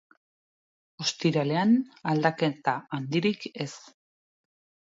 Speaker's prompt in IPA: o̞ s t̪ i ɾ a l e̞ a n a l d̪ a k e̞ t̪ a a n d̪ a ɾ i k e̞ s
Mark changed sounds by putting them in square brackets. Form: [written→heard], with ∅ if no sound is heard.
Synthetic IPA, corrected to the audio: o̞ s t̪ i ɾ a l e̞ a n a l d̪ a k e̞ t̪ a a n d̪ [a→i] ɾ i k e̞ s

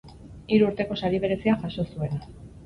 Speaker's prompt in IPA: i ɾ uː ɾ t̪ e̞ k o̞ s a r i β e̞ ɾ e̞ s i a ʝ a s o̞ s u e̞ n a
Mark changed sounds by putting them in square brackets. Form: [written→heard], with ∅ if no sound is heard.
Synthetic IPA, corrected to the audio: i ɾ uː ɾ t̪ e̞ k o̞ s a [r→ɾ] i β e̞ ɾ e̞ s i a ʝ a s o̞ s u e̞ n a

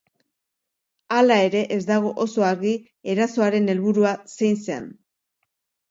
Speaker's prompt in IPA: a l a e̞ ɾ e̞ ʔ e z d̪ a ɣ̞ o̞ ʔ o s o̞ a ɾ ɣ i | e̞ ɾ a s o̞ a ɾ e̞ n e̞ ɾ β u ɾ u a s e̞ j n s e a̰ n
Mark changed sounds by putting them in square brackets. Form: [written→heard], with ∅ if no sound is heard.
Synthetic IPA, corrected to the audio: a l a e̞ ɾ e̞ ʔ e z d̪ a ɣ̞ o̞ ʔ o s o̞ a ɾ ɣ i | e̞ ɾ a s o̞ a ɾ e̞ n e̞ [ɾ→l] β u ɾ u a s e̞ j n s e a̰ n

